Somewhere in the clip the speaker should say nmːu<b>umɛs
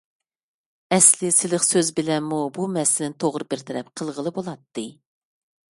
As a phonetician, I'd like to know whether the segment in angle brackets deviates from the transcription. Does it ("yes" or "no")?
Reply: no